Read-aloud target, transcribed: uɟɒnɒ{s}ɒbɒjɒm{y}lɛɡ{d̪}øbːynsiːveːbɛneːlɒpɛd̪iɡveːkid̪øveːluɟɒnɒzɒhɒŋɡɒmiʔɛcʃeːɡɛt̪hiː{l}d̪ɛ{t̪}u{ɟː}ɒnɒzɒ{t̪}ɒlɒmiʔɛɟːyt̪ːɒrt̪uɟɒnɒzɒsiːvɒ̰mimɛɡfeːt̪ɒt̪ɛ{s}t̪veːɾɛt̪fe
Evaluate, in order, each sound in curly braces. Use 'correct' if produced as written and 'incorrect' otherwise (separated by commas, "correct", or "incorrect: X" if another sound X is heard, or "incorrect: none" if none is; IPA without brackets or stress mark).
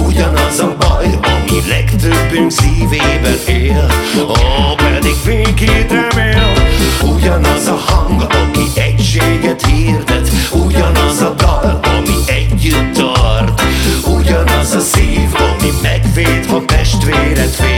incorrect: z, incorrect: i, incorrect: t̪, incorrect: r, correct, incorrect: ɟ, incorrect: d̪, incorrect: ʃ